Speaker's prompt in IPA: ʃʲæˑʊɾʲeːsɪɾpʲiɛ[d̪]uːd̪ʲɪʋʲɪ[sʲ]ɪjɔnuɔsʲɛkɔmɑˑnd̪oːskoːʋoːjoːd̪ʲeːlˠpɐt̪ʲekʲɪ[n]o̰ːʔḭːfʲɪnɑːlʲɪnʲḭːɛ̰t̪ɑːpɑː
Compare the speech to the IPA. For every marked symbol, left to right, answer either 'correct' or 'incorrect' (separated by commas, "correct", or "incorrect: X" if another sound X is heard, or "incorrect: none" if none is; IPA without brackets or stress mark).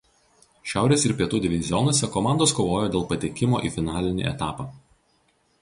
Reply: incorrect: t̪, incorrect: zʲ, incorrect: m